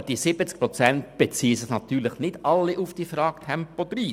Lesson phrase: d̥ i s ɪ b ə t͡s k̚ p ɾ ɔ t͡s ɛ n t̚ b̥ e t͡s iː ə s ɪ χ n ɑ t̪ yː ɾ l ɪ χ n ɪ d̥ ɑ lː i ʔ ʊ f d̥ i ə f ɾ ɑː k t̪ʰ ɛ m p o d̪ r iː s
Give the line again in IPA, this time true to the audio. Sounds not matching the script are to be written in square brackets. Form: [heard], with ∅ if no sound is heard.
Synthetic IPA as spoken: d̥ i s ɪ b ə t͡s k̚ p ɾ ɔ t͡s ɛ n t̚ b̥ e t͡s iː ə s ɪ χ n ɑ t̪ yː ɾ l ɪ χ n ɪ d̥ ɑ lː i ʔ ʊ f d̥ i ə f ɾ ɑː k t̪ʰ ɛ m p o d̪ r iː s